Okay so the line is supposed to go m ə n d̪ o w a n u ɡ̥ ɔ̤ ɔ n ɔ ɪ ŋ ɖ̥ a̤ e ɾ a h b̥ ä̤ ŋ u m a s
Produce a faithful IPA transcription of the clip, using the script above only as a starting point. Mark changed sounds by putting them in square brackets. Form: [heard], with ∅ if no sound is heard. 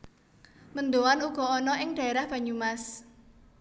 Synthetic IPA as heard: m ə n d̪ o w a n u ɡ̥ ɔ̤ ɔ n ɔ ɪ ŋ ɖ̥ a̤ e ɾ a h b̥ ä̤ [ɲ] u m a s